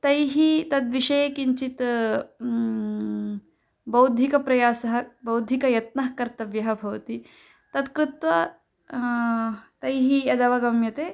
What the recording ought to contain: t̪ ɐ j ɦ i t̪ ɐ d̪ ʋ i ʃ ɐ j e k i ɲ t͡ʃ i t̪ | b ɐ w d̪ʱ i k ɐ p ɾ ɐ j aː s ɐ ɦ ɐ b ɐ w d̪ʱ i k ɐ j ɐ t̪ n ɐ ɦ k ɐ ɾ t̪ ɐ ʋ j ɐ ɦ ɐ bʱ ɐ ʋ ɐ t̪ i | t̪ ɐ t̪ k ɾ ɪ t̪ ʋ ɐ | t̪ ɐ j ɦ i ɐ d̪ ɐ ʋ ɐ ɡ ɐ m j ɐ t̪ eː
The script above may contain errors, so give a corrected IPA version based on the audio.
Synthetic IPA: t̪ ɐ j ɦ i t̪ ɐ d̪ ʋ i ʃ ɐ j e k i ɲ t͡ʃ i t̪ | b ɐ w d̪ʱ i k ɐ p ɾ ɐ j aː s ɐ ɦ ɐ b ɐ w d̪ʱ i k ɐ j ɐ t̪ n ɐ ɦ k ɐ ɾ t̪ ɐ ʋ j ɐ ɦ ɐ bʱ ɐ ʋ ɐ t̪ i | t̪ ɐ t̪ k ɾ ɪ t̪ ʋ ɐ | t̪ ɐ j ɦ i ɐ d̪ ɐ ʋ ɐ ɡ ɐ m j ɐ t̪ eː